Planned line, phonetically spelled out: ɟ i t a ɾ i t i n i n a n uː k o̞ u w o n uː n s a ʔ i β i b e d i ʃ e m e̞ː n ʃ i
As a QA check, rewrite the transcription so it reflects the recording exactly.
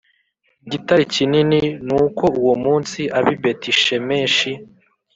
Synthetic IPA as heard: ɟ i t a ɾ i c i n i n i n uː k o̞ u w o m uː n s i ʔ a β i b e t i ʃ e m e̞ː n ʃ i

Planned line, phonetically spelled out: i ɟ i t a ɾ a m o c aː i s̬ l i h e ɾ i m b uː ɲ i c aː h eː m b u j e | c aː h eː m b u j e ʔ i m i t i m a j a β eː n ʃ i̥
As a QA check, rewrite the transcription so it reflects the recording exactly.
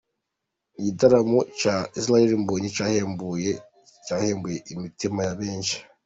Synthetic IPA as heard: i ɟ i t a ɾ a m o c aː i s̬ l a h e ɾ i m b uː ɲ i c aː h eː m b u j e | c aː h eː m b u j e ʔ i m i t i m a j a β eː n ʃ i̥

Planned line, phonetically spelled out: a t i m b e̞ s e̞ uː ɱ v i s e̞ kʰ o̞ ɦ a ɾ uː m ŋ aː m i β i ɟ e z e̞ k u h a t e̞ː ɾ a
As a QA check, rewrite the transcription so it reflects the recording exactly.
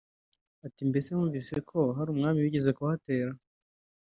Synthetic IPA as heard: a t i m b e̞ s e̞ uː ɱ v i s e̞ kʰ o̞ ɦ a ɾ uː m ŋ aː m i w i ɟ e z e̞ k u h a t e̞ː ɾ a

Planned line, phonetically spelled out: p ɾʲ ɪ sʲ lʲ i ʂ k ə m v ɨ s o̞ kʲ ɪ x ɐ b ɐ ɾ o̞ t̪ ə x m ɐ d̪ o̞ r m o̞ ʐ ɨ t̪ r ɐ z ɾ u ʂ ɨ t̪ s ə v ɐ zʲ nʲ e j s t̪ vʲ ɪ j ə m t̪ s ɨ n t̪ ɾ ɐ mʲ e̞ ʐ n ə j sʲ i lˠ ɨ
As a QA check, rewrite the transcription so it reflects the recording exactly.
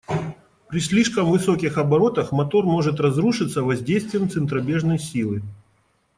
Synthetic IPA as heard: p ɾʲ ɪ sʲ lʲ i ʂ k ə m v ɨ s o̞ kʲ ɪ x ɐ b ɐ ɾ o̞ t̪ ə x m ɐ t̪ o̞ r m o̞ ʐ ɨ t̪ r ɐ z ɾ u ʂ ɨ t̪ s ə v ɐ zʲ dʲ e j s t̪ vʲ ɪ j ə m t̪ s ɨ n t̪ ɾ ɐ bʲ e̞ ʐ n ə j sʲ i lˠ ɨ

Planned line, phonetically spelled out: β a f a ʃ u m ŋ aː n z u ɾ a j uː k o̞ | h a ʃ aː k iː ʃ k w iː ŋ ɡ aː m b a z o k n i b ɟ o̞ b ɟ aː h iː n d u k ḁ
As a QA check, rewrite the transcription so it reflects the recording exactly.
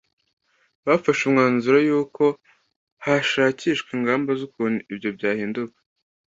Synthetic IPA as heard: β a f a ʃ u m ŋ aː n z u ɾ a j uː k o̞ | h a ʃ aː c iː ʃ k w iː ŋ ɡ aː m b a z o k n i b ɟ o̞ b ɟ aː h iː n d u k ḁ

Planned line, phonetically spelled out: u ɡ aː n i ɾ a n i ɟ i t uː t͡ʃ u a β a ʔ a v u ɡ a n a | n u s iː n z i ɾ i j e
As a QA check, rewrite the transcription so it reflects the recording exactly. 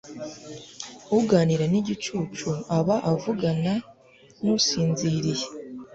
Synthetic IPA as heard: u ɡ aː n i ɾ a n i ɟ i t͡ʃ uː t͡ʃ u a β a ʔ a v u ɡ a n a | n u s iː n z i ɾ i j e

